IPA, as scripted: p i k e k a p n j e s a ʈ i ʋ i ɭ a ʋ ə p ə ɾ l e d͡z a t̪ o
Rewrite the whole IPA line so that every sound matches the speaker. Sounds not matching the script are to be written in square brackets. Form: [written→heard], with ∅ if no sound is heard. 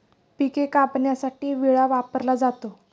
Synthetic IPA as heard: p i k e k a p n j [e→a] s a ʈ [i→iː] ʋ i ɭ a ʋ [ə→a] p ə ɾ l [e→a] d͡z a t̪ o